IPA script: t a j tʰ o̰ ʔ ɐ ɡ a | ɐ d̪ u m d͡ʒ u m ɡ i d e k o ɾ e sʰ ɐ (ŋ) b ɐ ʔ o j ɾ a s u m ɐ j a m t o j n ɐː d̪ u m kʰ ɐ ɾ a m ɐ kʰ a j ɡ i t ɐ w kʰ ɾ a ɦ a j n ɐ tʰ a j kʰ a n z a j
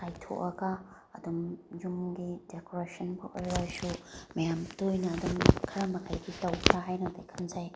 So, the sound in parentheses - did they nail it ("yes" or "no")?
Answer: no